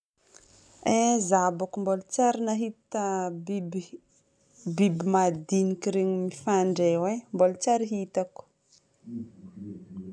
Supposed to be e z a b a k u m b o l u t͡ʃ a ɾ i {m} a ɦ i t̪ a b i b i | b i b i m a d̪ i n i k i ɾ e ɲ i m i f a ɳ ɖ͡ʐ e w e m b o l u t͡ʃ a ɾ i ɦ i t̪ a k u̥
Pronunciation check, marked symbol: incorrect: n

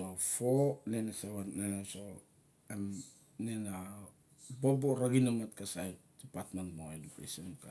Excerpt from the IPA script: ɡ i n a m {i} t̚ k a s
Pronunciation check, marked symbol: incorrect: a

